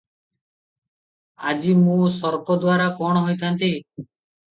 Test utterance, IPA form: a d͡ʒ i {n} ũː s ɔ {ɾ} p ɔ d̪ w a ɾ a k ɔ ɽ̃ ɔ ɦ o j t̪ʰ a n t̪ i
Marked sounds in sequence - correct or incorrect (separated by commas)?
incorrect, correct